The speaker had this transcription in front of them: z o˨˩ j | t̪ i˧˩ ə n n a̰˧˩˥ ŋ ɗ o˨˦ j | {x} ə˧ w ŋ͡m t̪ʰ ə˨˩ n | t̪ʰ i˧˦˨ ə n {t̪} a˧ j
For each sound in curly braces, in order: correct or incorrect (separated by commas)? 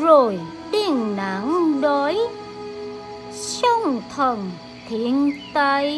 incorrect, correct